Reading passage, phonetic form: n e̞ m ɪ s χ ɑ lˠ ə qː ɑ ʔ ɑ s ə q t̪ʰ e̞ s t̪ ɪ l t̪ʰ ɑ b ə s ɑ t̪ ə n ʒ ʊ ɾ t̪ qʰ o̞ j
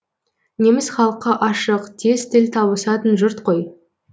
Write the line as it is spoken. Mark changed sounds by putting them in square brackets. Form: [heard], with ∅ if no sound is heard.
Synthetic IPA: n e̞ m ɪ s χ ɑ lˠ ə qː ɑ ʔ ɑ [ʃ] ə q t̪ʰ e̞ s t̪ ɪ l t̪ʰ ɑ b ə s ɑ t̪ ə n ʒ ʊ ɾ t̪ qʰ o̞ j